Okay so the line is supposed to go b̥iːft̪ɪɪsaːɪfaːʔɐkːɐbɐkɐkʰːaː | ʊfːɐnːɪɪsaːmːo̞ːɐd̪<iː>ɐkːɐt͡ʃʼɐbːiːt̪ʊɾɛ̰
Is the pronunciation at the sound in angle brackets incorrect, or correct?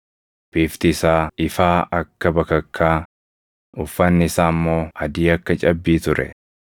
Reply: correct